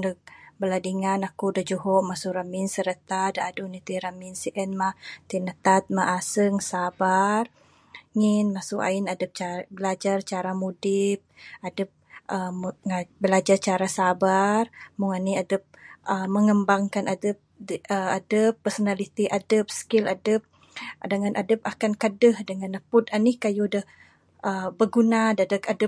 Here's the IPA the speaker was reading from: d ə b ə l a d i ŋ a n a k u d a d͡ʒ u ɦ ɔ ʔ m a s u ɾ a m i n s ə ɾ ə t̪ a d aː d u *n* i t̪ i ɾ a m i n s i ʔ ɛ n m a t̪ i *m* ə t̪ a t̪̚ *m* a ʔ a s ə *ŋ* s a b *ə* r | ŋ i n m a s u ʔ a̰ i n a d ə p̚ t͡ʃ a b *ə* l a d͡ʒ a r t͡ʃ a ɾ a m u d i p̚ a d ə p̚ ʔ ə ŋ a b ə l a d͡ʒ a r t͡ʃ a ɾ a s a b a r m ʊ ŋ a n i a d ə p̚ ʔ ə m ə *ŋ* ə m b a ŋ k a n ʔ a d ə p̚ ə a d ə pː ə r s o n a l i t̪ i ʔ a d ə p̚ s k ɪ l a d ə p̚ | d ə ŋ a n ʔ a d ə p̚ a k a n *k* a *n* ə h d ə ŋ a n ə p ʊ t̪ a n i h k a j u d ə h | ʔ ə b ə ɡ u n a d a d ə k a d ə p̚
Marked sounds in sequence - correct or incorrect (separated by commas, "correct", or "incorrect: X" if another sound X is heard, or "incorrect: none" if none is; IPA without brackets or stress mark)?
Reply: correct, incorrect: n, correct, correct, incorrect: a, correct, correct, correct, incorrect: d